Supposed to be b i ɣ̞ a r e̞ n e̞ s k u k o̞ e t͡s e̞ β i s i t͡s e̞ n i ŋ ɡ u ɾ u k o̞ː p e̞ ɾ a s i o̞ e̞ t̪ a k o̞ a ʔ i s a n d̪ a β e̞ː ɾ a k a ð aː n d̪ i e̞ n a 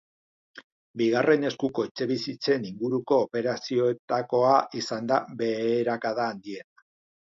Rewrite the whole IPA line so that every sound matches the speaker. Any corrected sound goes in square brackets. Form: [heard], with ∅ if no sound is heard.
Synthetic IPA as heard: b i ɣ̞ a r e̞ n e̞ s k u k o̞ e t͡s e̞ β i s i t͡s e̞ n i ŋ ɡ u ɾ u k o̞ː p e̞ ɾ a s i o̞ e̞ t̪ a k o̞ a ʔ i s a n d̪ a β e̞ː ɾ a k a ð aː n d̪ i e̞ n a